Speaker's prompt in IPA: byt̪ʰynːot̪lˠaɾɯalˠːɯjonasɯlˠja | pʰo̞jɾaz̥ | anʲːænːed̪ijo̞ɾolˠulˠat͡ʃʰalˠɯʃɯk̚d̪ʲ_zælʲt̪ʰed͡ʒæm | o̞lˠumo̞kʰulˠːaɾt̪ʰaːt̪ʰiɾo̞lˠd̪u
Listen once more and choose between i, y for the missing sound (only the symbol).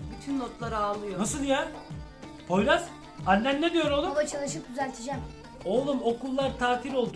y